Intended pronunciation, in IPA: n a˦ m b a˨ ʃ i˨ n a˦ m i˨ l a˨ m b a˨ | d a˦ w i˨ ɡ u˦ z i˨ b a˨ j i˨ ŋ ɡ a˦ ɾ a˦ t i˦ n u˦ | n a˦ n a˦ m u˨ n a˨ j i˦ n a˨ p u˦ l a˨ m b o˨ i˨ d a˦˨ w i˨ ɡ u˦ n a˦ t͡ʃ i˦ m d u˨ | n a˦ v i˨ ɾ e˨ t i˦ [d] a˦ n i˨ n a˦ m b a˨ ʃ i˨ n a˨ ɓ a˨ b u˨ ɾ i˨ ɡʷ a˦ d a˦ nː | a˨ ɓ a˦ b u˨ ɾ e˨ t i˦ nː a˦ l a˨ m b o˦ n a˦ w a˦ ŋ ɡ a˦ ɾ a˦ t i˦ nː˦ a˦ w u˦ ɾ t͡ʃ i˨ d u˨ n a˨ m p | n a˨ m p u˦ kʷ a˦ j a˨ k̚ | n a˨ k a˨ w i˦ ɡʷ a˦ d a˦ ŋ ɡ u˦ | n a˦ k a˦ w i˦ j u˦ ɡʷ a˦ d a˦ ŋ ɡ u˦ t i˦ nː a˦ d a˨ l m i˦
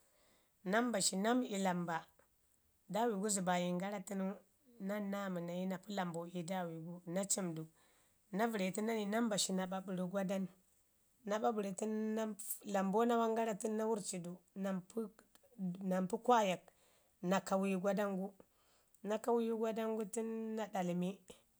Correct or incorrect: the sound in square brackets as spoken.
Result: incorrect: n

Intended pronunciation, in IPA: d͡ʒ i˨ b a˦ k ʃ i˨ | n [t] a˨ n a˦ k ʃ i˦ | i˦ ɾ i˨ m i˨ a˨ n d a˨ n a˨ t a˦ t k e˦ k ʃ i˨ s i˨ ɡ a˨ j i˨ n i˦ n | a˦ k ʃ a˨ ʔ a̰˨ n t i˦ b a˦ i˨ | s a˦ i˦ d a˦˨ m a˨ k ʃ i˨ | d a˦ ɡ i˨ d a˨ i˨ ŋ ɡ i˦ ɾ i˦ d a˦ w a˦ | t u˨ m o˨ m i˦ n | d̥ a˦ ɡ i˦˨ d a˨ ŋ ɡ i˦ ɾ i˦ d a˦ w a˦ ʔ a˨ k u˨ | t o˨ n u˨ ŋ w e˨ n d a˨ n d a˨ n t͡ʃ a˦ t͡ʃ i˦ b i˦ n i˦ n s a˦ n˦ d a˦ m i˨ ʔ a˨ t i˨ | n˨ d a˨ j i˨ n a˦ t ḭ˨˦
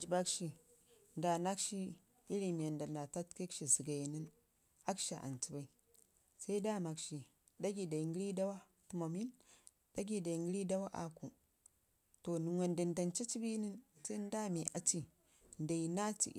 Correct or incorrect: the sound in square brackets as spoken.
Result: incorrect: d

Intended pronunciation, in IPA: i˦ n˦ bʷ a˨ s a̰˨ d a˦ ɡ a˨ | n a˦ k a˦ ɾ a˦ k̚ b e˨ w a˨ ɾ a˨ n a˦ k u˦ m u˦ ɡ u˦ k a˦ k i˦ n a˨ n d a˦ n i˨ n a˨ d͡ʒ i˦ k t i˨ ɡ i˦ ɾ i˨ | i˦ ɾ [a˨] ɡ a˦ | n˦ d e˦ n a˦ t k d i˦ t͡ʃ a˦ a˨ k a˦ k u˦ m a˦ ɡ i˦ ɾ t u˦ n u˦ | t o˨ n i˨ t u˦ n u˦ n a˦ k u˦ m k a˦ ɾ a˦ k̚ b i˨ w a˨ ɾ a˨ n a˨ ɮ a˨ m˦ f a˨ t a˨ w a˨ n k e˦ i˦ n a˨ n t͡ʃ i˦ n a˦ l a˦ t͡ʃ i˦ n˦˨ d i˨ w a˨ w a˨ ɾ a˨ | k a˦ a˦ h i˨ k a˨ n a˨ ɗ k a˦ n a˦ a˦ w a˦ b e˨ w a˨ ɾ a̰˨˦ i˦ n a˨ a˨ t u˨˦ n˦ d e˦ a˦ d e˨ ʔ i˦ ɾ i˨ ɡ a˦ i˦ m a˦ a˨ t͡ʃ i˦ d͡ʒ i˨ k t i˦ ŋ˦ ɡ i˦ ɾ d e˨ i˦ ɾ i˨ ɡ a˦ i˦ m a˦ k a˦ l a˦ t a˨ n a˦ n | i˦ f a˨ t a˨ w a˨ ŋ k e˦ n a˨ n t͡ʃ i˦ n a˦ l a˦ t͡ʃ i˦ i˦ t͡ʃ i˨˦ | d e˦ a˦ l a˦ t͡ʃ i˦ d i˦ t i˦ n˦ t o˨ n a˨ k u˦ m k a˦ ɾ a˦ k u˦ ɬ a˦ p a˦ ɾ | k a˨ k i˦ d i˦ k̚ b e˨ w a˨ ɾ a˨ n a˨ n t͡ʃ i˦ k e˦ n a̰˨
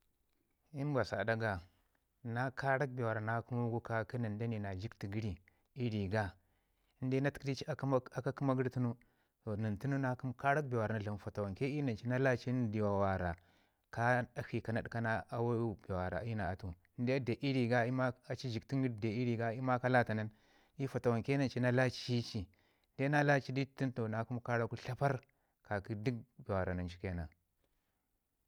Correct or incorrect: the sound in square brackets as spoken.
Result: incorrect: i˨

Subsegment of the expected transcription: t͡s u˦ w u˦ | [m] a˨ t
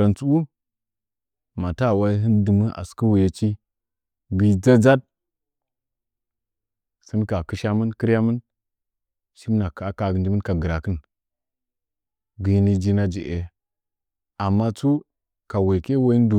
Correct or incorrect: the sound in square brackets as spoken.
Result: correct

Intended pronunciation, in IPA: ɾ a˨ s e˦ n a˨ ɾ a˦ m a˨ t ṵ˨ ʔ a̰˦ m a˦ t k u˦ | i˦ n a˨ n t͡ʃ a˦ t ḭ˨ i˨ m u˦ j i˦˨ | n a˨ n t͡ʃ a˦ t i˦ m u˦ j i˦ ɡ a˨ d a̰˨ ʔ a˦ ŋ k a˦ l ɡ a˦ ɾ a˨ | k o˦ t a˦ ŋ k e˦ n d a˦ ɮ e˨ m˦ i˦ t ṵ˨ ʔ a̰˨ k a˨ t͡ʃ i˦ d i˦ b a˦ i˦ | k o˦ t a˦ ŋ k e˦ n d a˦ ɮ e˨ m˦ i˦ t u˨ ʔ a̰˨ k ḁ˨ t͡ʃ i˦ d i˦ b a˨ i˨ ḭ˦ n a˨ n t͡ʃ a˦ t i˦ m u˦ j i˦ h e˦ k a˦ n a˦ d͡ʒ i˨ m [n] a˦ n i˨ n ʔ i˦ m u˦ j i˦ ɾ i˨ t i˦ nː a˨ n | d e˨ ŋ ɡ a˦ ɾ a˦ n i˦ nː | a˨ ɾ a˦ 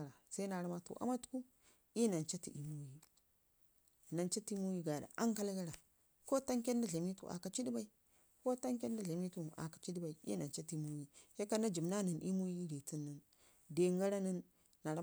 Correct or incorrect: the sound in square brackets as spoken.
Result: correct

